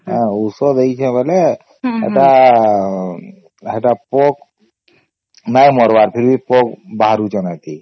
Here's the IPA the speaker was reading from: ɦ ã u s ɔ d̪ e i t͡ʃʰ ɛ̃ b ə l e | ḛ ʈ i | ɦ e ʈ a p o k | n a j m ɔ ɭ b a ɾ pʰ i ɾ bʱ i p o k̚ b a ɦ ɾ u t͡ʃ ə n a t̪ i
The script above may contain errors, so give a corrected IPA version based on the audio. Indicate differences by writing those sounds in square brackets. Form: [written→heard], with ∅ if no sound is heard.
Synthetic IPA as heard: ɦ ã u s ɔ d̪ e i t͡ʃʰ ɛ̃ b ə l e | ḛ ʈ [i→a] | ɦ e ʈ a p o k | n a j m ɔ [ɭ→ɾ] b a ɾ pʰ i ɾ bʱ i p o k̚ b a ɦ ɾ u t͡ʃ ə n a t̪ i